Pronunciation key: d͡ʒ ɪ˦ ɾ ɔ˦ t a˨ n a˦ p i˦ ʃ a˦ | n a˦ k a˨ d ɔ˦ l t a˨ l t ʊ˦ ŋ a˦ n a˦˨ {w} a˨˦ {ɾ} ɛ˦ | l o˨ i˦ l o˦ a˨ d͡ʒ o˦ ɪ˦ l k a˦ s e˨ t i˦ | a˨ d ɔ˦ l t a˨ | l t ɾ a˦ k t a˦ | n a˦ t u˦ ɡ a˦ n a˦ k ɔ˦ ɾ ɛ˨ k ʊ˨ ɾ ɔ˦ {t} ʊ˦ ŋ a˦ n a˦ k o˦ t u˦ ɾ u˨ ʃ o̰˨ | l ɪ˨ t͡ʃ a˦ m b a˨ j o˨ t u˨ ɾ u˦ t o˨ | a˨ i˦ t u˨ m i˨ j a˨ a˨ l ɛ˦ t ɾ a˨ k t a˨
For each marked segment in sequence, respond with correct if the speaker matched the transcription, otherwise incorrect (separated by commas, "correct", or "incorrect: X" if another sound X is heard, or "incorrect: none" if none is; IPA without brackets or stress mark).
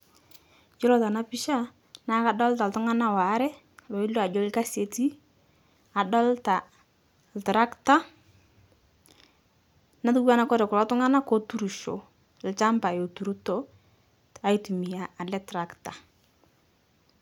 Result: correct, correct, correct